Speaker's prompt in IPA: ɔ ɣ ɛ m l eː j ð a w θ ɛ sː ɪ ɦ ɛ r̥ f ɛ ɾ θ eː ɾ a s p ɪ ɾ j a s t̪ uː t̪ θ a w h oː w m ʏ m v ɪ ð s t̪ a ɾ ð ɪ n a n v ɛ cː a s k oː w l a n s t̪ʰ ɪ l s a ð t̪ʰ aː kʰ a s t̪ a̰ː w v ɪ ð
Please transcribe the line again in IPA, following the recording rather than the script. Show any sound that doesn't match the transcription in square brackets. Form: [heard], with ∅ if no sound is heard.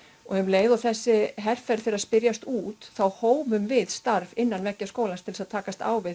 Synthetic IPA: ɔ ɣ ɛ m l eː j ð a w θ ɛ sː ɪ ɦ ɛ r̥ f ɛ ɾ θ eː ɾ a s p ɪ ɾ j a s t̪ uː t̪ θ a w h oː w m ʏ m v ɪ ð s t̪ a ɾ [v] ɪ [nː] a n v ɛ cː a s k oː w l a n s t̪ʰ ɪ l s a ð t̪ʰ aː [k] a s t̪ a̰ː w v ɪ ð